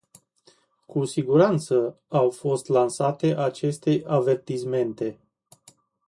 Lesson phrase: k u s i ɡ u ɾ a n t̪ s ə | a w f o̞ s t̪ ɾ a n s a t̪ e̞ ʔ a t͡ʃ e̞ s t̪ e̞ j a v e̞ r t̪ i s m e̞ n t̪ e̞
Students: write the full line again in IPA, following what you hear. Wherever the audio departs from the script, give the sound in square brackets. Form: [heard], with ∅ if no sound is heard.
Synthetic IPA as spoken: k u s i ɡ u ɾ a n t̪ s ə | a w f o̞ s t̪ [l] a n s a t̪ e̞ ʔ a t͡ʃ e̞ s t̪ e̞ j a v e̞ r t̪ i s m e̞ n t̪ e̞

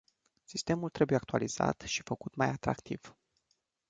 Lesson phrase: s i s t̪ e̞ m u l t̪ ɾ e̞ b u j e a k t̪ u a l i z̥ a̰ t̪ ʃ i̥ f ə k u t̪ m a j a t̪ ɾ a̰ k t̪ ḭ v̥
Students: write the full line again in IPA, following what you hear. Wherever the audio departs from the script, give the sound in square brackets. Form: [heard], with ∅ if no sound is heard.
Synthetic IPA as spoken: s i s t̪ e̞ m u l t̪ ɾ e̞ b u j e a k t̪ u a l i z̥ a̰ t̪ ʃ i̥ f ə k u t̪ m a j a t̪ ɾ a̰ k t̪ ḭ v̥

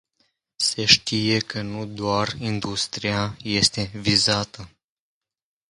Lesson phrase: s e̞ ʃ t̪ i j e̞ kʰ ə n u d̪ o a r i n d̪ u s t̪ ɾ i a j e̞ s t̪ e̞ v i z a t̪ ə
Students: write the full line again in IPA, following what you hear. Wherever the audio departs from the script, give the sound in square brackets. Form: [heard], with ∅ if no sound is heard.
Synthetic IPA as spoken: s e̞ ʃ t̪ i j e̞ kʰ ə n u d̪ o a r i n d̪ u s t̪ ɾ i a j e̞ s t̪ e̞ v i z a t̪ ə

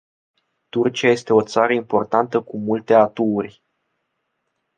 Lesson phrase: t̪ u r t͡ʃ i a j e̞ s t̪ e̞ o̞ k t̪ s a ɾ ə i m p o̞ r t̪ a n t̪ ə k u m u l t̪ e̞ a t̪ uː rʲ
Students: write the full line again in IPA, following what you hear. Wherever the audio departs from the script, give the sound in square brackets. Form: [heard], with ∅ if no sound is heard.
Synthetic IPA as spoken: t̪ u r t͡ʃ i a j e̞ s t̪ e̞ o̞ [∅] t̪ s a ɾ ə i m p o̞ r t̪ a n t̪ ə k u m u l t̪ e̞ a t̪ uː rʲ

